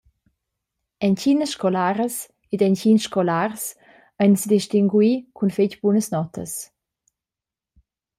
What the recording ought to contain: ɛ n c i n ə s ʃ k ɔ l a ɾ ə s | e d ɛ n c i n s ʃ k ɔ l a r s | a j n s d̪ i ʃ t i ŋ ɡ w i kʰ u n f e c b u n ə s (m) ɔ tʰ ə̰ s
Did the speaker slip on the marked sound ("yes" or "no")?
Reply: yes